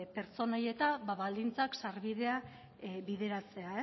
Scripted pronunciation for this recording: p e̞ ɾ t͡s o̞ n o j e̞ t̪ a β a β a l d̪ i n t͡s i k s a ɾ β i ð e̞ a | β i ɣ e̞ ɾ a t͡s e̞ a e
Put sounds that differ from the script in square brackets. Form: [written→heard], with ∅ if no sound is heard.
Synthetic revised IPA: p e̞ ɾ t͡s o̞ n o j e̞ t̪ a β a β a l d̪ i n t͡s [i→a] k s a ɾ β i ð e̞ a | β i [ɣ→ð] e̞ ɾ a t͡s e̞ a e